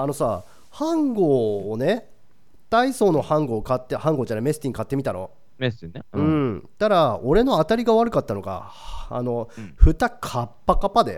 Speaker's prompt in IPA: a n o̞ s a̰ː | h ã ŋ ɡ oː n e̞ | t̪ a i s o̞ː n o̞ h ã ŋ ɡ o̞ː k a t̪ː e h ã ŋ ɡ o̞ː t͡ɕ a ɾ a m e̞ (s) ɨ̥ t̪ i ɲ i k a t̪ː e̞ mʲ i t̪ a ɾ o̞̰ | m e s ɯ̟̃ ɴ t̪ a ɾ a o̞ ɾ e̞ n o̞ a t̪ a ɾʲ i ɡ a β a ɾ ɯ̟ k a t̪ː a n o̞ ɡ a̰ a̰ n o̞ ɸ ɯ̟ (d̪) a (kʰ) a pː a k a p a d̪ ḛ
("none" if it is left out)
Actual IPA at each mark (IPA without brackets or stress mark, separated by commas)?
s, t̪, kʰ